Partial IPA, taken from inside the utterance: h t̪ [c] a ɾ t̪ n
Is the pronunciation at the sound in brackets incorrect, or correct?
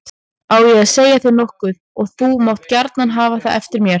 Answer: correct